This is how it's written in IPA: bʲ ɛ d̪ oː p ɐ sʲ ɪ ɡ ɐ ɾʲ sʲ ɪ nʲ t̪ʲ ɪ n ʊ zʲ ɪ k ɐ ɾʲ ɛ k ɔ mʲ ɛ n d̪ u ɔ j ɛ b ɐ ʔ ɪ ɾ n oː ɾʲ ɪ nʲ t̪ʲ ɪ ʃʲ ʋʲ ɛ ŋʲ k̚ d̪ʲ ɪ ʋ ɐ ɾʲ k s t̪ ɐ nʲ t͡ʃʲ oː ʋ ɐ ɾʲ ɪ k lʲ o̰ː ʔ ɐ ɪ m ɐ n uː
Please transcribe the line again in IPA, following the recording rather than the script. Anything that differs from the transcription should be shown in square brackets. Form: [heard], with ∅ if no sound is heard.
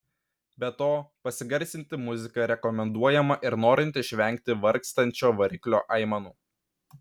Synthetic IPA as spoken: bʲ ɛ [t̪] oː p ɐ sʲ ɪ ɡ ɐ ɾʲ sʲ ɪ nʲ t̪ʲ ɪ [m] ʊ zʲ ɪ k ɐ ɾʲ ɛ k ɔ mʲ ɛ n d̪ u ɔ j ɛ [m] ɐ ʔ ɪ ɾ n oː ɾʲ ɪ nʲ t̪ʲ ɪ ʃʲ ʋʲ ɛ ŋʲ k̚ [t̪ʲ] ɪ ʋ ɐ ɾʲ k s t̪ ɐ nʲ t͡ʃʲ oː ʋ ɐ ɾʲ ɪ k lʲ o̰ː ʔ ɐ ɪ m ɐ n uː